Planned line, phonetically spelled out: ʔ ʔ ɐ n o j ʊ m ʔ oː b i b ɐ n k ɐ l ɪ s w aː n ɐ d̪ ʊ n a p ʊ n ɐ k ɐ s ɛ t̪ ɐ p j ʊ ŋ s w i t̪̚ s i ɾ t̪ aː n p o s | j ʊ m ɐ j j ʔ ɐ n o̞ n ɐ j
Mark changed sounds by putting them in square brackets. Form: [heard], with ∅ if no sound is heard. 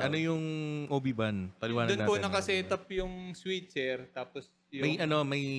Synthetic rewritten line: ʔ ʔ ɐ n o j ʊ [ŋ] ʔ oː b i b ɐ n [p] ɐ l ɪ [∅] w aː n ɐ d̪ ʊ n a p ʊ n ɐ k ɐ s ɛ t̪ ɐ p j ʊ ŋ s w i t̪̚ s [ɛ] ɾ t̪ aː [∅] p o s | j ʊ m ɐ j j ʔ ɐ n o̞ [m] ɐ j